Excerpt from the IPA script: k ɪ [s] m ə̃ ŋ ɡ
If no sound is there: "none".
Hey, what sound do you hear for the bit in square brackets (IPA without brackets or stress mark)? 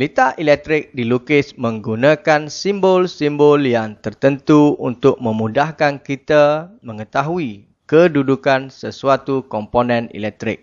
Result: s